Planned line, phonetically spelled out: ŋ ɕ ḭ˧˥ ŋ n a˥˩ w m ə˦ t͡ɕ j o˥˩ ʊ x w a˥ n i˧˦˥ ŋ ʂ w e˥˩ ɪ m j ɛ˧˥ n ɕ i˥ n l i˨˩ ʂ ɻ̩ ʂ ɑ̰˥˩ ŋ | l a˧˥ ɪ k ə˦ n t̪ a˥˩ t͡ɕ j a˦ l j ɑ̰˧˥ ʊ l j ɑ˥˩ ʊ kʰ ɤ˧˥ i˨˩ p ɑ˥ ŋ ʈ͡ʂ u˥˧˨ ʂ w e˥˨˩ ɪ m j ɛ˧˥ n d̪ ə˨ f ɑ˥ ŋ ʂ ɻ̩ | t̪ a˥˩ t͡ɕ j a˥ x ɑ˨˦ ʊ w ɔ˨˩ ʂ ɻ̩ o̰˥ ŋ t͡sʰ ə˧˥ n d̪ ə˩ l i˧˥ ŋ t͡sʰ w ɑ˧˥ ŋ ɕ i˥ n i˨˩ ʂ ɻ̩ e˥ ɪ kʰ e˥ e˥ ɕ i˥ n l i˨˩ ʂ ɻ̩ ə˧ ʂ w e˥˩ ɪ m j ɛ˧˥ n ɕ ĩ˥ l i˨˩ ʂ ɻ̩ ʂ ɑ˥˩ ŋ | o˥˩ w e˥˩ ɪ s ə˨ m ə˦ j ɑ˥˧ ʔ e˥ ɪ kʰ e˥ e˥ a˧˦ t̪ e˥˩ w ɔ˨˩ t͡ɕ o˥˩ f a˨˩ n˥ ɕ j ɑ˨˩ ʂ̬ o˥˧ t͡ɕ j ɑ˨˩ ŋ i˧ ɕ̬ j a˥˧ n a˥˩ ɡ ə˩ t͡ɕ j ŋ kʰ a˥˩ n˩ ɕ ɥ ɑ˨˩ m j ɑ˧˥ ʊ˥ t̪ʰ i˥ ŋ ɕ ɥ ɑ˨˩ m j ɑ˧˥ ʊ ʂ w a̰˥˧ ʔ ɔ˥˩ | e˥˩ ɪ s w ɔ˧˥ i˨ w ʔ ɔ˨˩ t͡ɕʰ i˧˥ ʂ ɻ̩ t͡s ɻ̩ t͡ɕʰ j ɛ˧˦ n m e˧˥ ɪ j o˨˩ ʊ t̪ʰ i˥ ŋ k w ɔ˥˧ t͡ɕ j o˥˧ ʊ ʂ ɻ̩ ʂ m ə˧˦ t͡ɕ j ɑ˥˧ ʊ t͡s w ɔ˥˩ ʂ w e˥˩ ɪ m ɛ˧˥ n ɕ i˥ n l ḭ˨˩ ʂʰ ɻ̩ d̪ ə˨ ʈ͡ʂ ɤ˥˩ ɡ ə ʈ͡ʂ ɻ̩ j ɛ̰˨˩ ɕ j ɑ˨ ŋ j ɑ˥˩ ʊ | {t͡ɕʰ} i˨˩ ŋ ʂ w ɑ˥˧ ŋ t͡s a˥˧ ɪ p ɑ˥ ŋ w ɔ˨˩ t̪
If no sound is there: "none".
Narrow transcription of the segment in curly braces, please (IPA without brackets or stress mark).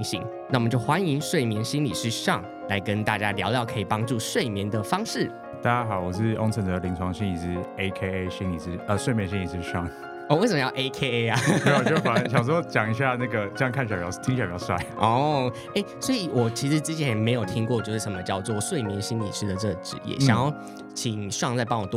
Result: t͡ɕʰ